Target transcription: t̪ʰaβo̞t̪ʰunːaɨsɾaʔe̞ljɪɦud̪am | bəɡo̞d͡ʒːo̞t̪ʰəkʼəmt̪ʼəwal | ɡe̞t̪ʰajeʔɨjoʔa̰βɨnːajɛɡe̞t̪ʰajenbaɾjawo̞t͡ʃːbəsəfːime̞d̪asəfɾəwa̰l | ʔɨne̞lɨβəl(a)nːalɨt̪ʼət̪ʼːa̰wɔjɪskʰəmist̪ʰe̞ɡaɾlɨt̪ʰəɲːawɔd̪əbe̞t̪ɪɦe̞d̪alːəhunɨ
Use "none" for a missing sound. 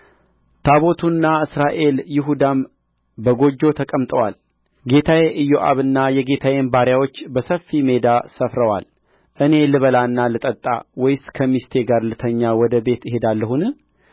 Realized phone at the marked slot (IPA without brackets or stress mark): a